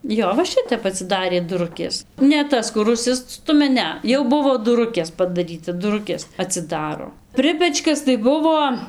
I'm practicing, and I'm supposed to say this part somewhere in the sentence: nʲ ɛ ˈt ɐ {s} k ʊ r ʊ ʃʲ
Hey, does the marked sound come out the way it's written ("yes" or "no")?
yes